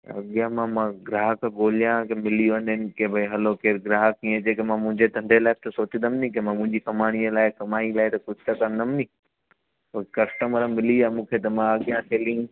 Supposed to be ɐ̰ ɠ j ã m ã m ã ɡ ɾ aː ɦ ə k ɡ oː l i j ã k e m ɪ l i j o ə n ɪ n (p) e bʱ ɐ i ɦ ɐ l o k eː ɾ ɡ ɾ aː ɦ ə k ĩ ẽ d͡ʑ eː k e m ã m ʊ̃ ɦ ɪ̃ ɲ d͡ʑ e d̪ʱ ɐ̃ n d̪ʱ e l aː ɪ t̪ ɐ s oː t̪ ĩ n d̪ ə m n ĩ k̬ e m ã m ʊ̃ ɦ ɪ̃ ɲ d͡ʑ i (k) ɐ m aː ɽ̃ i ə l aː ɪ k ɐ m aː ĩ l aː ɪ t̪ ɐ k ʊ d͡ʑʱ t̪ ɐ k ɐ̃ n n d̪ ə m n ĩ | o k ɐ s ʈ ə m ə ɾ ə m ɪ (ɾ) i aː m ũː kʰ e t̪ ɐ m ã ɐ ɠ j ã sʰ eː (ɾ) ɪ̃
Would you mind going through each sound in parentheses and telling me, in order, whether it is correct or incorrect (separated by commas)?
incorrect, correct, incorrect, incorrect